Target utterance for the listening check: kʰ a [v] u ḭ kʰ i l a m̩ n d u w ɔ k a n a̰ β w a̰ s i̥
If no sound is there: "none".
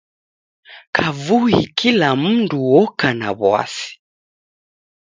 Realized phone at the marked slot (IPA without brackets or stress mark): v